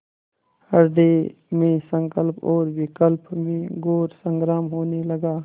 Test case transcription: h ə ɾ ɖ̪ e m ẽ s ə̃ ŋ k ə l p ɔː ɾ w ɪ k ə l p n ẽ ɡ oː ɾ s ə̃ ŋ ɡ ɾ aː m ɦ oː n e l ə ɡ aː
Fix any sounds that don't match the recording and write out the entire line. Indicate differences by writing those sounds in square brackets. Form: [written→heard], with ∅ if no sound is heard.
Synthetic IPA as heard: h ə ɾ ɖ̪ e m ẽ s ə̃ ŋ k ə l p ɔː ɾ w ɪ k ə l p [n→m] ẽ ɡ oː ɾ s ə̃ ŋ ɡ ɾ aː m ɦ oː n e l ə ɡ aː

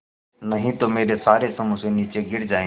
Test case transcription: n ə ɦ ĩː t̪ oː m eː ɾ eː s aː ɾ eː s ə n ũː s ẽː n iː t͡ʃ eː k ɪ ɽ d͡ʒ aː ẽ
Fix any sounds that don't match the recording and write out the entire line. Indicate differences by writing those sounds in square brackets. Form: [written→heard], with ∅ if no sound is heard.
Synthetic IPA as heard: n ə ɦ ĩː t̪ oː m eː ɾ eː s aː ɾ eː s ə [n→m] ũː s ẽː n iː t͡ʃ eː [k→ɡ] ɪ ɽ d͡ʒ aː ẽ

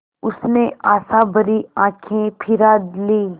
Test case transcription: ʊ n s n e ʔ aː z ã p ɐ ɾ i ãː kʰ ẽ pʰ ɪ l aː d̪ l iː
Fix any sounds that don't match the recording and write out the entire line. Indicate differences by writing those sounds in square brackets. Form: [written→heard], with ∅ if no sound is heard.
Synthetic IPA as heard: ʊ [n→∅] s n e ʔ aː [z→s] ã [p→b] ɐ ɾ i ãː kʰ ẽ pʰ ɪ [l→ɾ] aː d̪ l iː

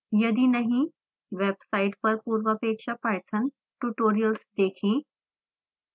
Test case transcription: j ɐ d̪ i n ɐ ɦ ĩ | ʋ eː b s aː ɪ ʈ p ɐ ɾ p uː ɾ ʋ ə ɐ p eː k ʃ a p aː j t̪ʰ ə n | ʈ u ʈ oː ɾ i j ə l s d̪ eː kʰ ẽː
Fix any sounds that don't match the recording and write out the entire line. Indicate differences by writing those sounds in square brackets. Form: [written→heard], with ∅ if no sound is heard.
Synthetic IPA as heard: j ɐ d̪ i n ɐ ɦ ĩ | ʋ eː b s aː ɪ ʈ p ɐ ɾ p uː ɾ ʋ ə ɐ p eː k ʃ a p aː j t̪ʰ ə n | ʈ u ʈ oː ɾ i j ə l s d̪ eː kʰ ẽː

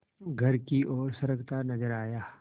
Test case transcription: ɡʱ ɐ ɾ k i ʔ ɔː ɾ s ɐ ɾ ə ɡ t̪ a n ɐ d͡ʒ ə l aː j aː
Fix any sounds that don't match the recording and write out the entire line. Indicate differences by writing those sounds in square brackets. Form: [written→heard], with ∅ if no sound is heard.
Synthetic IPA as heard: ɡʱ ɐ ɾ k i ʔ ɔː ɾ s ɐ ɾ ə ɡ t̪ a n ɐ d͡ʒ ə [l→ɾ] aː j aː

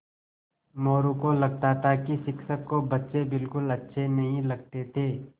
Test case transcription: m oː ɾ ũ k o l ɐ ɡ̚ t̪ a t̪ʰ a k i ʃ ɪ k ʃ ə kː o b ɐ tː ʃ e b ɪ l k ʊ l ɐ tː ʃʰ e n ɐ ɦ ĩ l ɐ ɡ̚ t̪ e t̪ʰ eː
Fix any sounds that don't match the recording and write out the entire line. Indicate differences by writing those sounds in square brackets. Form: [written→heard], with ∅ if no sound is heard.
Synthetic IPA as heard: m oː ɾ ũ k o l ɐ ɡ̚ t̪ a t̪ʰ a k i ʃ ɪ k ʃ ə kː o b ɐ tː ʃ e b ɪ l k ʊ l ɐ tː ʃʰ e n ɐ ɦ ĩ l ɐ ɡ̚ t̪ e t̪ʰ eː

